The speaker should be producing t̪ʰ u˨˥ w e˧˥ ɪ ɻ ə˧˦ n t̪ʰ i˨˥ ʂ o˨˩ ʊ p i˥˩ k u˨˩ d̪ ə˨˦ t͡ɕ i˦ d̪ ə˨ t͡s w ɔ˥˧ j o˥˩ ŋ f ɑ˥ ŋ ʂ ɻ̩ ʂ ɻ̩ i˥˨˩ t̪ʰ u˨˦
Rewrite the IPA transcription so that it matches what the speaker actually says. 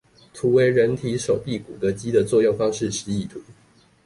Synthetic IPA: t̪ʰ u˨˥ w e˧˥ ɪ ɻ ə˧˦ n t̪ʰ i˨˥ ʂ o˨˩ ʊ p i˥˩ k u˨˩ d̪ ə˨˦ t͡ɕ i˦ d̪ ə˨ t͡s w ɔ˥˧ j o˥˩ ŋ f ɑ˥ ŋ ʂ ɻ̩ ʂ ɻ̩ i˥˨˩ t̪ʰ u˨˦